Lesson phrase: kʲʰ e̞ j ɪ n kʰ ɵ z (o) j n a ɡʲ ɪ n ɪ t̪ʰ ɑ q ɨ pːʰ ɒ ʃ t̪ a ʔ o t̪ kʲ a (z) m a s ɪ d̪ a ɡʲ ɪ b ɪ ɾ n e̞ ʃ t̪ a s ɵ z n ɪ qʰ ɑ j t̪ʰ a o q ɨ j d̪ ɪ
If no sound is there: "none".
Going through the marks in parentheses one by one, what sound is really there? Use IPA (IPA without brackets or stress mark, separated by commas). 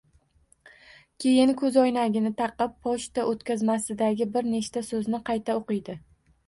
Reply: ɒ, z